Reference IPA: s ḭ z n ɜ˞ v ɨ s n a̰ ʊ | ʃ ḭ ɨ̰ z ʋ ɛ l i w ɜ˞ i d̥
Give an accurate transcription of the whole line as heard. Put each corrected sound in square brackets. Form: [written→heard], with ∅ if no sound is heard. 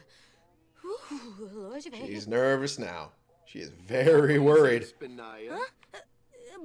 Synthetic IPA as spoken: [s→ʃ] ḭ z n ɜ˞ v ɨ s n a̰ ʊ | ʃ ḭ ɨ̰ z [ʋ→v] ɛ [l→ɹ] i w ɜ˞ i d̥

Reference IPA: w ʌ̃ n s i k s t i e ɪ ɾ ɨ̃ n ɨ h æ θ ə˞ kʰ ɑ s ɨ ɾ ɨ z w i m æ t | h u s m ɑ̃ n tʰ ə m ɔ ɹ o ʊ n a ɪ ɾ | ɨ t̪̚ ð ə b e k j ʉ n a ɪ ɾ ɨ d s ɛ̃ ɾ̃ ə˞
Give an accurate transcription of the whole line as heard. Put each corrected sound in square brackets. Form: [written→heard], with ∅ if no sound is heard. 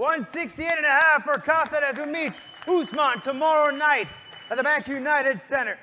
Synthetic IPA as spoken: w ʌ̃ n s [i→ɪ] k s t i e ɪ ɾ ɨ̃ n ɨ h æ [θ→f] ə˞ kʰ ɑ s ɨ ɾ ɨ z w i m [æ→i] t | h u s m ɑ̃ n tʰ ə m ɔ ɹ o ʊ n a ɪ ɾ | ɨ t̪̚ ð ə b [e→æ] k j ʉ n a ɪ ɾ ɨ d s ɛ̃ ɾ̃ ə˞

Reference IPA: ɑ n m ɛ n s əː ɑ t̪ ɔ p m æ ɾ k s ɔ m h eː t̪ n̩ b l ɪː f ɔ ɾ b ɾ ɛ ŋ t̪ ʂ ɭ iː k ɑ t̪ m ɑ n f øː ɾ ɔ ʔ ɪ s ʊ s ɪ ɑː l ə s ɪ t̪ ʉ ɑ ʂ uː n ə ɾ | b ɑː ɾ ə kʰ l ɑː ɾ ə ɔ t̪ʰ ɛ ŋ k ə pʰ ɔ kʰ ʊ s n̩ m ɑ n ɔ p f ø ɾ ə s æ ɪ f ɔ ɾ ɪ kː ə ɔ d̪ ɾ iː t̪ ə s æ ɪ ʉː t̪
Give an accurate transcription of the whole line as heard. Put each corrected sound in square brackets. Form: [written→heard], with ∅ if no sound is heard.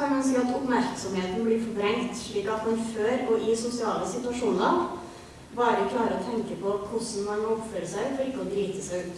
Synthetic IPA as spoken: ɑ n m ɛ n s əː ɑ t̪ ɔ p m æ ɾ k s ɔ m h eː t̪ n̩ b l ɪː f ɔ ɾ b ɾ ɛ ŋ t̪ ʂ ɭ iː k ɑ t̪ m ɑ n f øː ɾ ɔ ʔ ɪ s ʊ s ɪ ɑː l ə s ɪ t̪ ʉ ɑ ʂ uː n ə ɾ | b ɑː ɾ ə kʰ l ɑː ɾ ə ɔ t̪ʰ ɛ ŋ k ə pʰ ɔ kʰ ʊ s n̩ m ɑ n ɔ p f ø ɾ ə s æ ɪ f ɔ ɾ ɪ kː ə ɔ d̪ ɾ iː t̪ ə s æ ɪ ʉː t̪

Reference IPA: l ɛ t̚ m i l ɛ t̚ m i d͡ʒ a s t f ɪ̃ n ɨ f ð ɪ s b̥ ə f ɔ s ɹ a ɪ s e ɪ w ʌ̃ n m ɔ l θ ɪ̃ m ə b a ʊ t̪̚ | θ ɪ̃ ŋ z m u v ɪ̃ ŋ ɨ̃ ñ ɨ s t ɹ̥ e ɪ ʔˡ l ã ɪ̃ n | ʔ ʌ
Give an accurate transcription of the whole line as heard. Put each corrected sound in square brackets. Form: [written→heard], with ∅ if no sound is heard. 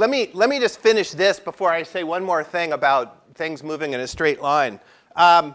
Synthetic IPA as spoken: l ɛ t̚ m i l ɛ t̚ m i d͡ʒ [a→ʌ] s t f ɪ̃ n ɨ [f→ʃ] ð ɪ s b̥ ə f ɔ [s→∅] ɹ a ɪ s e ɪ w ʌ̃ n m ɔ [l→ɹ] θ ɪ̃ [m→ŋ] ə b a ʊ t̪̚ | θ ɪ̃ ŋ z m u v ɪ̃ ŋ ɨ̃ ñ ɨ s t ɹ̥ e ɪ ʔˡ l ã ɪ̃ n | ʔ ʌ

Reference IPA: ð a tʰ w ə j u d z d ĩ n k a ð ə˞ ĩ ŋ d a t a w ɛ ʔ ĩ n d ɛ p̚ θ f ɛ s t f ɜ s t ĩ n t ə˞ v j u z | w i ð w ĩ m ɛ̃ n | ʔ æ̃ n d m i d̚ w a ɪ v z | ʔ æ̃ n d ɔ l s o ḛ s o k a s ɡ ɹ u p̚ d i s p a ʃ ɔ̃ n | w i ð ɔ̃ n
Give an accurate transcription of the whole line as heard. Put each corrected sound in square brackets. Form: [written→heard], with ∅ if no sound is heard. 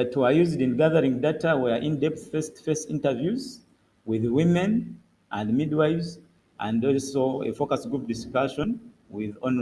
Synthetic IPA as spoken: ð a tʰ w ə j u [d→∅] z d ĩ n [k→ɡ] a ð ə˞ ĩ ŋ d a t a w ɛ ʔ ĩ n d ɛ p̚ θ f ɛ s t f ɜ s t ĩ n t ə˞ v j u z | w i ð w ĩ m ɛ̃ n | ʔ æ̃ n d m i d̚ w a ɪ v z | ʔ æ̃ n d ɔ l s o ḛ [s→f] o k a s ɡ ɹ u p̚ d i s [p→k] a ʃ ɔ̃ n | w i ð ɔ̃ n

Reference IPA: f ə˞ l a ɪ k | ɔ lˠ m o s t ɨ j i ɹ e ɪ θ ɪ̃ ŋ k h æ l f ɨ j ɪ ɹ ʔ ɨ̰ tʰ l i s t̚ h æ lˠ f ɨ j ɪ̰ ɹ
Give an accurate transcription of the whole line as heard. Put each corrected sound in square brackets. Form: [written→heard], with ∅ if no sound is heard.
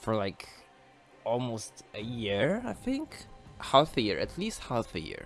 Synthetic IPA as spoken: f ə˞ l a ɪ k | ɔ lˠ m o s t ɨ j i ɹ [e→a] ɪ θ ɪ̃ ŋ k h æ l f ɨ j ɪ ɹ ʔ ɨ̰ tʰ l i s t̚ h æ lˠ f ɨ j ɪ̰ ɹ

